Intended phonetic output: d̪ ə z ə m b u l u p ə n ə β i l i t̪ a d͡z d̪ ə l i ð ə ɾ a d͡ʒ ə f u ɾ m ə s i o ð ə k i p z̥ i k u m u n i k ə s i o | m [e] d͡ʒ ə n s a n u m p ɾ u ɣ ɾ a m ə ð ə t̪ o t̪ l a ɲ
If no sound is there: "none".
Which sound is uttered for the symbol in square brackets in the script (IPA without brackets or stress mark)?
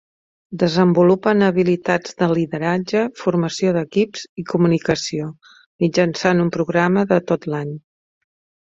i